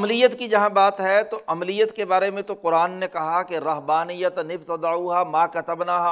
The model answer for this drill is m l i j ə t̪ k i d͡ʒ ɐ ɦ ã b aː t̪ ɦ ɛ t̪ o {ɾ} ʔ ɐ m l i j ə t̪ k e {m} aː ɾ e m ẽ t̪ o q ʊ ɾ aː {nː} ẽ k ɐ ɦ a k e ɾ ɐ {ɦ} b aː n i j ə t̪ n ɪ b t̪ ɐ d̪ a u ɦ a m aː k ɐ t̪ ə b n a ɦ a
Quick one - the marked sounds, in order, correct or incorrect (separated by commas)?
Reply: incorrect, incorrect, correct, correct